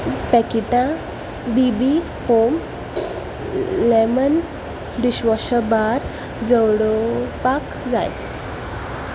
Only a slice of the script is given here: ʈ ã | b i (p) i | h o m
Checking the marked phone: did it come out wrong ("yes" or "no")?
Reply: yes